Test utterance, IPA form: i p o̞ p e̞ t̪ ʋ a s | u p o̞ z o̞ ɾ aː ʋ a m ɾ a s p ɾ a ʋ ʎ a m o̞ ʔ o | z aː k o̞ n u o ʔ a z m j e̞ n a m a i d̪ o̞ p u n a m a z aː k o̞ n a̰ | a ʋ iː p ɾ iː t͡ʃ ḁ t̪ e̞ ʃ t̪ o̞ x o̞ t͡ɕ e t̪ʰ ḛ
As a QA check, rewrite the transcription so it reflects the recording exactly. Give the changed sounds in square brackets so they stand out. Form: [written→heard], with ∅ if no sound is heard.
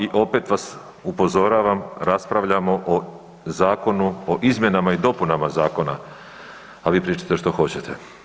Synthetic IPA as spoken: i [p→ʔ] o̞ p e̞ t̪ ʋ a s | u p o̞ z o̞ ɾ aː ʋ a m ɾ a s p ɾ a ʋ ʎ a m o̞ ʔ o | z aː k o̞ n u o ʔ [a→i] z m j e̞ n a m a i d̪ o̞ p u n a m a z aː k o̞ n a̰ | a ʋ iː p ɾ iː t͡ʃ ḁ t̪ e̞ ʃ t̪ o̞ x o̞ t͡ɕ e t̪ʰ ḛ